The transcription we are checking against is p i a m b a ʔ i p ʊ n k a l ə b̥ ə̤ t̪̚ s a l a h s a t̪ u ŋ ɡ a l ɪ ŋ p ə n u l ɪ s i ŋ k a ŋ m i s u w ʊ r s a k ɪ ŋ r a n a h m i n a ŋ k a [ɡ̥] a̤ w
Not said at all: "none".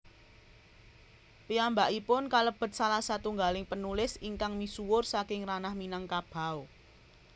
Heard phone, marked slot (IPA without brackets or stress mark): b̥